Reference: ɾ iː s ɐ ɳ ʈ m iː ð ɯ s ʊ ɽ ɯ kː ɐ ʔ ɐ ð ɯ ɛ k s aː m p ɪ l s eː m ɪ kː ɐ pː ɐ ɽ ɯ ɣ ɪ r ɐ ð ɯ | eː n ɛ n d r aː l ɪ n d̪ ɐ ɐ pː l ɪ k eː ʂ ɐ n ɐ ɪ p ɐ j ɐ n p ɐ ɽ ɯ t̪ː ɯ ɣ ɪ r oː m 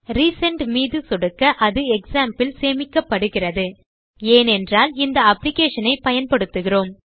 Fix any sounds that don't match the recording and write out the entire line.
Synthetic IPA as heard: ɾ iː s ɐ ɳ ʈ m iː ð ɯ s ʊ ɽ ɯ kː ɐ ʔ ɐ ð ɯ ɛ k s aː m p ɪ l s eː m ɪ kː ɐ pː ɐ ɽ ɯ ɣ ɪ r ɐ ð ɯ | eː n ɛ n d r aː l ɪ n d̪ ɐ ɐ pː l ɪ k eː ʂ ɐ n ɐ ɪ p ɐ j ɐ n p ɐ ɽ ɯ t̪ː ɯ ɣ ɪ r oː m

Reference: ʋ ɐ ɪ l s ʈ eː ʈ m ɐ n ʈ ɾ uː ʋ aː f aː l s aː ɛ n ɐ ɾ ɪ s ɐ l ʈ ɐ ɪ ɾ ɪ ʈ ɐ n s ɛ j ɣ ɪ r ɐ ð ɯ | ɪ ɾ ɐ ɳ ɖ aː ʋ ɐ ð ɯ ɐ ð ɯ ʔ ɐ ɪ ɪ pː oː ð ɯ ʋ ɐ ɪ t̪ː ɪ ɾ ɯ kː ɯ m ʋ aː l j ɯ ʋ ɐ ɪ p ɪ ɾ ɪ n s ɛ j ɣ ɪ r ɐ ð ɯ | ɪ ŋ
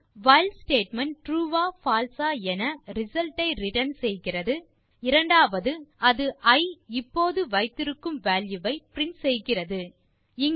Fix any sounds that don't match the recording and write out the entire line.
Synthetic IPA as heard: ʋ ɐ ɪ l s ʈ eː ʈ m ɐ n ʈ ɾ uː ʋ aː f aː l s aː ɛ n ɐ ɾ ɪ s ɐ l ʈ ɐ ɪ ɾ ɪ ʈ ɐ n s ɛ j ɣ ɪ r ɐ ð ɯ | ɪ ɾ ɐ ɳ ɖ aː ʋ ɐ ð ɯ ɐ ð ɯ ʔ ɐ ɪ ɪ pː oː ð ɯ ʋ ɐ ɪ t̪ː ɪ ɾ ɯ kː ɯ m ʋ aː l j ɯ ʋ ɐ ɪ p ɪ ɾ ɪ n s ɛ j ɣ ɪ r ɐ ð ɯ | ɪ ŋ

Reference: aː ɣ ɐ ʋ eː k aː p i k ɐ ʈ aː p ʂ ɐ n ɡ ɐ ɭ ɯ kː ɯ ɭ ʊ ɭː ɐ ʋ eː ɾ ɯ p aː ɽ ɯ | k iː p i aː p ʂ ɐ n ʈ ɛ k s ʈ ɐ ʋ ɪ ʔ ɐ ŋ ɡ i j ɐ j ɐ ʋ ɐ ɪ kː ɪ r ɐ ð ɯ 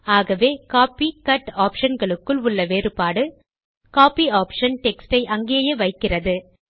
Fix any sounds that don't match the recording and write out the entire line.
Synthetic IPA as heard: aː ɣ ɐ ʋ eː k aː p i k ɐ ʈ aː p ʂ ɐ n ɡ ɐ ɭ ɯ kː ɯ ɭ ʊ ɭː ɐ ʋ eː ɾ ɯ p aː ɽ ɯ | k aː p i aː p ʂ ɐ n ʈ ɛ k s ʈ ɐ ɪ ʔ ɐ ŋ ɡ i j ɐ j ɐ ʋ ɐ ɪ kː ɪ r ɐ ð ɯ

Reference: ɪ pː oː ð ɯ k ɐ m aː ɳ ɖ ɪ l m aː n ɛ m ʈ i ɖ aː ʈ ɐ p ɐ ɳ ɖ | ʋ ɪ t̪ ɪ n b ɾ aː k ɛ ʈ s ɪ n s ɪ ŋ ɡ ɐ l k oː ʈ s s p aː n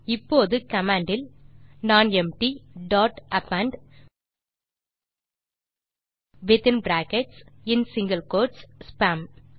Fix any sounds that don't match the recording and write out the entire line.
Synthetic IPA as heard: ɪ pː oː ð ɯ k ɐ m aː ɳ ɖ ɪ l n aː n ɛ m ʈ i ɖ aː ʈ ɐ p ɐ ɳ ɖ | ʋ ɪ t̪ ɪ n b ɾ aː k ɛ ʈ s ɪ n s ɪ ŋ ɡ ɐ l k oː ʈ s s p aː m

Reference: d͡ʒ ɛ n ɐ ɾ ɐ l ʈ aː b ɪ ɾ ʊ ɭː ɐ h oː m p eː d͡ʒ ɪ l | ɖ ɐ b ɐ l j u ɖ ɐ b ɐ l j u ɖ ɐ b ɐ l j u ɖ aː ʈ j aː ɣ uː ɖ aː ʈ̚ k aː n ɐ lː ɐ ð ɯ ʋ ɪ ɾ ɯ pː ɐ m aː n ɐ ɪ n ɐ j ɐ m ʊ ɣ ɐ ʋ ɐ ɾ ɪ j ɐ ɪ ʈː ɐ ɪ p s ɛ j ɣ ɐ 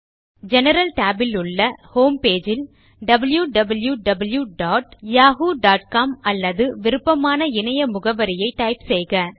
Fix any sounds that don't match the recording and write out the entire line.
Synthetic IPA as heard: d͡ʒ ɛ n ɐ ɾ ɐ l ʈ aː b ɪ l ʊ ɭː ɐ h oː m p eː d͡ʒ ɪ l | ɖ ɐ b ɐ l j u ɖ ɐ b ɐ l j u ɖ ɐ b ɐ l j u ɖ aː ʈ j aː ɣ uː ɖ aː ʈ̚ k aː m ɐ lː ɐ ð ɯ ʋ ɪ ɾ ɯ pː ɐ m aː n ɐ ɪ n ɐ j ɐ m ʊ ɣ ɐ ʋ ɐ ɾ ɪ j ɐ ɪ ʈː ɐ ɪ p s ɛ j ɣ ɐ

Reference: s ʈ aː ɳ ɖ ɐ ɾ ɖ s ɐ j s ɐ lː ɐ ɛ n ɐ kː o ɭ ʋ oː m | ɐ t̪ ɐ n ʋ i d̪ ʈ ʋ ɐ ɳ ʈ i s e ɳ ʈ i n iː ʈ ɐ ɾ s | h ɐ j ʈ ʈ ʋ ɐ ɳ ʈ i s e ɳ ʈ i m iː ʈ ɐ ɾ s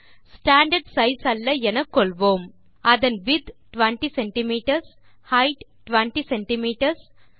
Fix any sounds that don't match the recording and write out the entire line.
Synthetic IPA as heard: s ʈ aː ɳ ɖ ɐ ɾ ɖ s ɐ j s ɐ lː ɐ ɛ n ɐ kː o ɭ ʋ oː m | ɐ d̪ ɐ n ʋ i d̪ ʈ ʋ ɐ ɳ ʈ i s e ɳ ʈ i m iː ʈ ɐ ɾ s | h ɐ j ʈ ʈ ʋ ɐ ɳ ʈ i s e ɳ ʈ i m iː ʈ ɐ ɾ s

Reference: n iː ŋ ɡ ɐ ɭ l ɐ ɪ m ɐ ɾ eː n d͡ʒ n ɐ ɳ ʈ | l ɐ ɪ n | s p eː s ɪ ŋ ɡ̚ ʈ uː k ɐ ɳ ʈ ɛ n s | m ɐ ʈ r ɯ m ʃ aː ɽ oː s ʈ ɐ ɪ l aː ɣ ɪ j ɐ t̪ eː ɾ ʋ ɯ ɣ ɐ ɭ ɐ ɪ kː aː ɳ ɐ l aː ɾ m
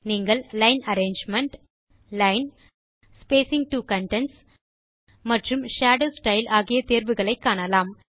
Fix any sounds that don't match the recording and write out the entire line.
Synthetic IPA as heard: n iː ŋ ɡ ɐ ɭ l ɐ ɪ n ɐ ɾ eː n d͡ʒ m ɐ ɳ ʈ | l ɐ ɪ n | s p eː s ɪ ŋ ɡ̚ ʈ uː k ɐ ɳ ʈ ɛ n s | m ɐ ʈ r ɯ m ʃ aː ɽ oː s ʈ ɐ ɪ l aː ɣ ɪ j ɐ t̪ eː ɾ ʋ ɯ ɣ ɐ ɭ ɐ ɪ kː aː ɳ ɐ l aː m

